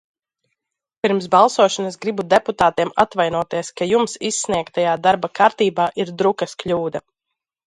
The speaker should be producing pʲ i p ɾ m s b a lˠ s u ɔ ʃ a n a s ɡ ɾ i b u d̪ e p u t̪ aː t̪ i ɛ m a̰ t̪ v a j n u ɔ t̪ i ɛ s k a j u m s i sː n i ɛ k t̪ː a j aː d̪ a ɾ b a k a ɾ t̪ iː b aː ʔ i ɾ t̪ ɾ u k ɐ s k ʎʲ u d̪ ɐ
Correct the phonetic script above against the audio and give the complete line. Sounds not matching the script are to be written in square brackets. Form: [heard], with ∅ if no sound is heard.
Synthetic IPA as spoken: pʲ i [∅] ɾ m s b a lˠ s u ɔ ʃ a n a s ɡ ɾ i b u d̪ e p u t̪ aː t̪ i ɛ m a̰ t̪ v a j n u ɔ t̪ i ɛ s k a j u m s i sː n i ɛ k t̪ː a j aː d̪ a ɾ b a k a ɾ t̪ iː b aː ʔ i ɾ [d̪] ɾ u k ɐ s k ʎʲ [uː] d̪ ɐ